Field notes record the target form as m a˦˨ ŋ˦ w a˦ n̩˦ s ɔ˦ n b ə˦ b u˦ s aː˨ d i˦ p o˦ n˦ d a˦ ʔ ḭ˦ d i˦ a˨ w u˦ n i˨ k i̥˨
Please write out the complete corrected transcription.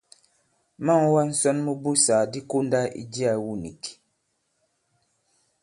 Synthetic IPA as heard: m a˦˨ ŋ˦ w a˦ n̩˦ s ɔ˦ n m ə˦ b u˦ s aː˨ d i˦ k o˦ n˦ d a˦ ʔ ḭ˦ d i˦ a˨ w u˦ n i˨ k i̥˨